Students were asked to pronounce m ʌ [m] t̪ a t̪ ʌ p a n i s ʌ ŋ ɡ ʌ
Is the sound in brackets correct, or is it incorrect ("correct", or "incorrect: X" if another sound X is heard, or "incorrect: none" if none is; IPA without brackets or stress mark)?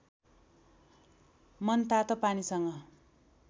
incorrect: n